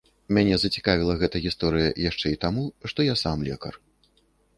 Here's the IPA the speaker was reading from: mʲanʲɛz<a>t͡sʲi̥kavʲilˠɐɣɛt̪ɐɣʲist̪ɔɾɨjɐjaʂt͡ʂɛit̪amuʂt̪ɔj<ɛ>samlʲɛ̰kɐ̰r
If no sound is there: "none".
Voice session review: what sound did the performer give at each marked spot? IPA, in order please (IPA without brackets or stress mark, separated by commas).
ɐ, a